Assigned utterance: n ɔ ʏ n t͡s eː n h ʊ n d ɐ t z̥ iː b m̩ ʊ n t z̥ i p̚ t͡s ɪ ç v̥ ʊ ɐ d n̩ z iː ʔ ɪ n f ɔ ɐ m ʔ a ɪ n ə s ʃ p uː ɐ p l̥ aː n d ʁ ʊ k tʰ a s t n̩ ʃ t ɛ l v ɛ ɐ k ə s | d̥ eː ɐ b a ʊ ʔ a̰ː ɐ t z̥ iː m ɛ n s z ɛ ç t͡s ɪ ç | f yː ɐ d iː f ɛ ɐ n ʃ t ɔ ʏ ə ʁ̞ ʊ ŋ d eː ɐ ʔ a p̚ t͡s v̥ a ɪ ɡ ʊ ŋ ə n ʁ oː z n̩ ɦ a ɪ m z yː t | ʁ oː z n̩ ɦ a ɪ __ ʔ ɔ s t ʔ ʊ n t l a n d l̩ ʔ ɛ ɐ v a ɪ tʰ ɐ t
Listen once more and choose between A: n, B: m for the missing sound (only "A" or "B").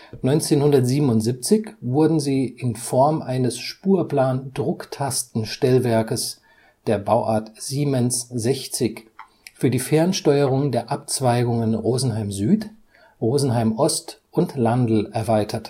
B